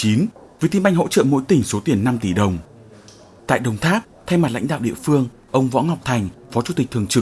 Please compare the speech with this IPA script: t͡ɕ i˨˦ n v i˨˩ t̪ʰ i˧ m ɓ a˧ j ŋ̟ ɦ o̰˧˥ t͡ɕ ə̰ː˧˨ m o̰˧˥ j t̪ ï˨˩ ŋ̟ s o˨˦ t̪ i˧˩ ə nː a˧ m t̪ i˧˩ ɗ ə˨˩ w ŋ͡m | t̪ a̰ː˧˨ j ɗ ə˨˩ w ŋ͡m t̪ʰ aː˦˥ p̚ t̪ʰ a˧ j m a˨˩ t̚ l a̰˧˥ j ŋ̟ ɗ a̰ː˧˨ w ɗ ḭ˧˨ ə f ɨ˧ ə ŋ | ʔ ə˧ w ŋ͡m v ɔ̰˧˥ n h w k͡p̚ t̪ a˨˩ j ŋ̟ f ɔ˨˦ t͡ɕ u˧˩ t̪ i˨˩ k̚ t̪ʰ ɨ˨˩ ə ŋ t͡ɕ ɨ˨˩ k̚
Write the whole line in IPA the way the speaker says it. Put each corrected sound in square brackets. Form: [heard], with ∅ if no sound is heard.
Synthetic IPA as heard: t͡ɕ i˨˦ n v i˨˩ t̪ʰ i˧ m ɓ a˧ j ŋ̟ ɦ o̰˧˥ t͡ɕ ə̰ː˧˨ m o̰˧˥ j t̪ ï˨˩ ŋ̟ s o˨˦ t̪ i˧˩ ə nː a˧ m t̪ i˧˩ ɗ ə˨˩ w ŋ͡m | t̪ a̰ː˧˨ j ɗ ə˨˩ w ŋ͡m t̪ʰ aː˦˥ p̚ t̪ʰ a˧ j m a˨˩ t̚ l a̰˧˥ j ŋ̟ ɗ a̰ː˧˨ w ɗ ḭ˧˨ ə f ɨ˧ ə ŋ | ʔ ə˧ w ŋ͡m v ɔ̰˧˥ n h w k͡p̚ [t̪ʰ] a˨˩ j ŋ̟ f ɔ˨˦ t͡ɕ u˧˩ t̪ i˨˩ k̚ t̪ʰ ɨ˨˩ ə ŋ t͡ɕ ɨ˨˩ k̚